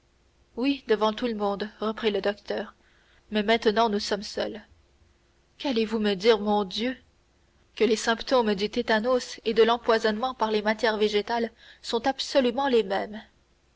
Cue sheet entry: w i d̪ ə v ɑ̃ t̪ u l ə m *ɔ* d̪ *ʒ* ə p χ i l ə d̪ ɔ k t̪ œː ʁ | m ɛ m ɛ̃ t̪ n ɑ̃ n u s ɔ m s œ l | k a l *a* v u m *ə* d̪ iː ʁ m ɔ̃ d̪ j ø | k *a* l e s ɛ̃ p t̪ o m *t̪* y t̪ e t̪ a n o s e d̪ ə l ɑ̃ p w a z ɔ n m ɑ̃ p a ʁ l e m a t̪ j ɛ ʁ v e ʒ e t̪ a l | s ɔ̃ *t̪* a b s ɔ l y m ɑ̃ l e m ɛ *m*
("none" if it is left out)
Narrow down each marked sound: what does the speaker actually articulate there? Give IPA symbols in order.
ɔ̃, ʁ, e, ə, ə, d̪, t̪, m

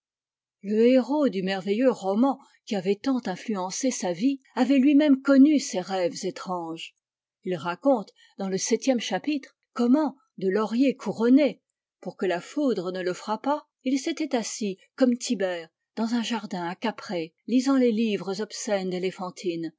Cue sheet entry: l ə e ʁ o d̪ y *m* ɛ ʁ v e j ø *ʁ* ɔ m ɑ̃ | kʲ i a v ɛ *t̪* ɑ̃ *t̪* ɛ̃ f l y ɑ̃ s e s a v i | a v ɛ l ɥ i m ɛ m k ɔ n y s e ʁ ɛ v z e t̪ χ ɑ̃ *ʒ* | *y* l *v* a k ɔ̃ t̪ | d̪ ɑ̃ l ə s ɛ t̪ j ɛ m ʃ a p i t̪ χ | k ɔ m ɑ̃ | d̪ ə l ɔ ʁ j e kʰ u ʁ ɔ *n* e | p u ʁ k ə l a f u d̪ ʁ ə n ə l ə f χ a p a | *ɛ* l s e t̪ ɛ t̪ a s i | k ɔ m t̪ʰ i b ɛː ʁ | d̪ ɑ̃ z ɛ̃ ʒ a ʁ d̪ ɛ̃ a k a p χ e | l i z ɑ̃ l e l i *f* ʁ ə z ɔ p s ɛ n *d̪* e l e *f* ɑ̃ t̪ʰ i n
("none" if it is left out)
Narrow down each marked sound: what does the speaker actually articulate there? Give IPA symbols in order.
m, ʁ, t̪, t̪, ʒ, i, ʁ, n, i, v, d̪, f

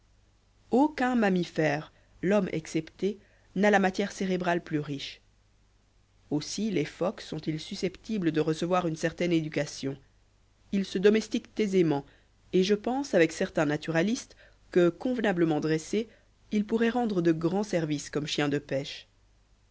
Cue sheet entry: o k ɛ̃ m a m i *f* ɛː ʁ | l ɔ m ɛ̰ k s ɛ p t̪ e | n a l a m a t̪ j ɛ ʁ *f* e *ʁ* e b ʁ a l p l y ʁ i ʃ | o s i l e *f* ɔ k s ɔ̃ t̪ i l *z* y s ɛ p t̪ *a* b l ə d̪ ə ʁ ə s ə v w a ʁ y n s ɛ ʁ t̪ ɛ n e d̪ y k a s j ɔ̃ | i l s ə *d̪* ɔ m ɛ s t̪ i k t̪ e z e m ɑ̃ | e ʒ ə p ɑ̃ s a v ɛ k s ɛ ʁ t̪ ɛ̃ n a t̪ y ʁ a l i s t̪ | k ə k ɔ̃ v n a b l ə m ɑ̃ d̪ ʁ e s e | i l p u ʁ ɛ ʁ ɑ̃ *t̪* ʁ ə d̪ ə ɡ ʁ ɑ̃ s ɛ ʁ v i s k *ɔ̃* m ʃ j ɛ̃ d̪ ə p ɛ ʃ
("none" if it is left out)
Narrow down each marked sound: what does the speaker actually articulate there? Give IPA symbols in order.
f, s, ʁ, f, s, i, d̪, d̪, ɔ

